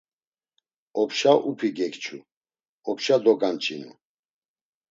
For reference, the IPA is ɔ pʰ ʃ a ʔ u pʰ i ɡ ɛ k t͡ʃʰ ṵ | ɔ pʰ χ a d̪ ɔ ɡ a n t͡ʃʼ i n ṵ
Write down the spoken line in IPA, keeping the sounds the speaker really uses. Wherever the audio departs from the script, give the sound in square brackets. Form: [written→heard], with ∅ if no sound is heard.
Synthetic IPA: ɔ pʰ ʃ a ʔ u pʰ i ɡ ɛ k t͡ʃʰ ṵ | ɔ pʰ [χ→ʃ] a d̪ ɔ ɡ a n t͡ʃʼ i n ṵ